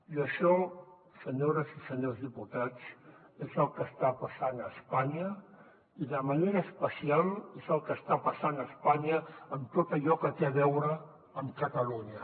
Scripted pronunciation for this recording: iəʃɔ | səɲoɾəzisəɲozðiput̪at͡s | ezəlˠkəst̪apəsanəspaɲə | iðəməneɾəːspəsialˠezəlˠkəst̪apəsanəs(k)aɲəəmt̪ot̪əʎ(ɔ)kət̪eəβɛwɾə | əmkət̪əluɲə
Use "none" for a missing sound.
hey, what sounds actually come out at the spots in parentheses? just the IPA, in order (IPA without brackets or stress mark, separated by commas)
p, ɔ